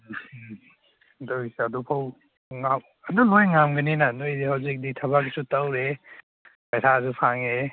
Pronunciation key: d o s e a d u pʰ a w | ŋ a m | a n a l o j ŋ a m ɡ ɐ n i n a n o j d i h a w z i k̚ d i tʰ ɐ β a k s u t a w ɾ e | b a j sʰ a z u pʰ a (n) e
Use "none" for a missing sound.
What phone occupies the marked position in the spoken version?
ŋ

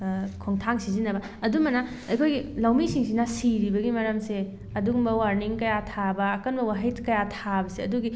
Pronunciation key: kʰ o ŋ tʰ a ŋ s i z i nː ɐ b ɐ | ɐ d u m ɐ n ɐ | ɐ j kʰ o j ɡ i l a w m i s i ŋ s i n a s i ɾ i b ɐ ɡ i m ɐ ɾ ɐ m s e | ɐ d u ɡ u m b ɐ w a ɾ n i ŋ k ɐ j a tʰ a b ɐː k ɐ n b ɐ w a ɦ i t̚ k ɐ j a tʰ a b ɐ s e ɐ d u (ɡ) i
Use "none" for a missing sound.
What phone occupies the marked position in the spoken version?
ɡ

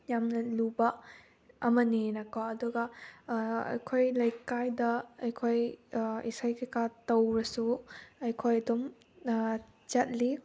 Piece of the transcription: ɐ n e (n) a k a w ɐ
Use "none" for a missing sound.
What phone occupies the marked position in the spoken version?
n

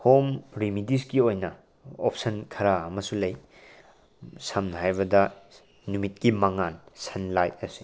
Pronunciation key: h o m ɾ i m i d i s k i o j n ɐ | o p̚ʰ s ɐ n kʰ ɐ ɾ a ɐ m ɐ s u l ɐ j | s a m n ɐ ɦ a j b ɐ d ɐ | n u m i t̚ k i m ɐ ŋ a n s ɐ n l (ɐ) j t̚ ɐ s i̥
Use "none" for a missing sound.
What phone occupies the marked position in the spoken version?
a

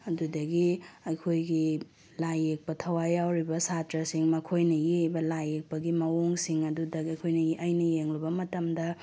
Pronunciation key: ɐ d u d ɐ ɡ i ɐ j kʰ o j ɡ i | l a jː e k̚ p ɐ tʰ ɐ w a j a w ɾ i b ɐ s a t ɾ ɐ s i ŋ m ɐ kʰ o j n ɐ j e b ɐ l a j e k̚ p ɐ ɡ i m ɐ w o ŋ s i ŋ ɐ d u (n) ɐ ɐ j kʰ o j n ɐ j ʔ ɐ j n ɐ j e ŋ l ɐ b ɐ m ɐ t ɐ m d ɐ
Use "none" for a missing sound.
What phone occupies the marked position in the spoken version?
d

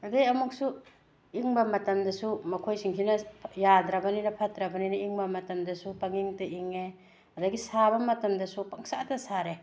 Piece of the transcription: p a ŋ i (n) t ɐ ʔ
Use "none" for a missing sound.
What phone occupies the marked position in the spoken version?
ŋ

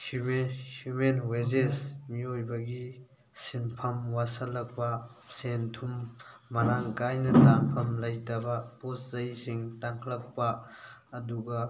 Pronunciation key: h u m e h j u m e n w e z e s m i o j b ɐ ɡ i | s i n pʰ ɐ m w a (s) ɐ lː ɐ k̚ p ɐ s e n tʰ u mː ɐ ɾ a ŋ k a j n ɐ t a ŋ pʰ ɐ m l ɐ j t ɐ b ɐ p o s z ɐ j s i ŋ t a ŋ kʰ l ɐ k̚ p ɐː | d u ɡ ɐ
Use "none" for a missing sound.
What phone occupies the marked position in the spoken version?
s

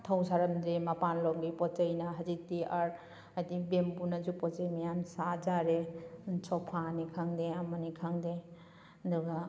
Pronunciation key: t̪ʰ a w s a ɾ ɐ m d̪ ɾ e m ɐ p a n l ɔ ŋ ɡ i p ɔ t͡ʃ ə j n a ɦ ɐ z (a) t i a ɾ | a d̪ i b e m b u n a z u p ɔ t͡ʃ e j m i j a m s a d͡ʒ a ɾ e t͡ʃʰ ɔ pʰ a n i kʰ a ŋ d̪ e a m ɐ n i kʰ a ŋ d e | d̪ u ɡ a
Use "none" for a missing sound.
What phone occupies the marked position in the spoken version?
i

